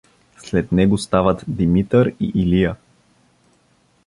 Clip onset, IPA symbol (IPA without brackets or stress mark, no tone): s